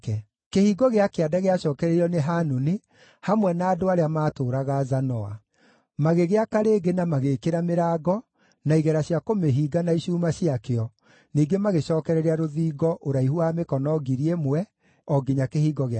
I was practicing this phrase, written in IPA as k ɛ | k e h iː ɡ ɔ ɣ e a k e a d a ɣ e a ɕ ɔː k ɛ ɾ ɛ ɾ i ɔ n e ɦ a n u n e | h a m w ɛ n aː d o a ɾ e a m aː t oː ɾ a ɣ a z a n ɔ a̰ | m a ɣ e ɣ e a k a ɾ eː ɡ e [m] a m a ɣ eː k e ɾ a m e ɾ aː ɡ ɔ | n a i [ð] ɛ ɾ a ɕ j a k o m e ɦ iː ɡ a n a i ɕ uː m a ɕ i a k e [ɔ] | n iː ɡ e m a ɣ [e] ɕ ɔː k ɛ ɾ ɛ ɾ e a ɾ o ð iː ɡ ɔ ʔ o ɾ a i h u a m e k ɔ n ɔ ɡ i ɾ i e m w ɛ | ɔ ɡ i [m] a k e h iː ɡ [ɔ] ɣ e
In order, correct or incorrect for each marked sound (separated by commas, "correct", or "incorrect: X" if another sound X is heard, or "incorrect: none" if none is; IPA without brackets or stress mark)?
incorrect: n, incorrect: ɣ, correct, correct, incorrect: ɲ, correct